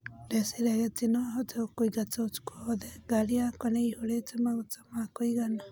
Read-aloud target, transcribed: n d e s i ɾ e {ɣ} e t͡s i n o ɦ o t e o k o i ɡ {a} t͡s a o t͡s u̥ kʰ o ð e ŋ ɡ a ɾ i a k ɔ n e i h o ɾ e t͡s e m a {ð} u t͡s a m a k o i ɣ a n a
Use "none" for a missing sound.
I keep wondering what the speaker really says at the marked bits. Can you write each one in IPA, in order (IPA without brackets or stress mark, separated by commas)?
ɣ, a, ɣ